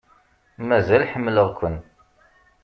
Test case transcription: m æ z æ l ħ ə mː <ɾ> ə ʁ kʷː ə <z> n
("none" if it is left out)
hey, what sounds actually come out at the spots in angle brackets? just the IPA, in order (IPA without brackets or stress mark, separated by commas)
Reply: l, none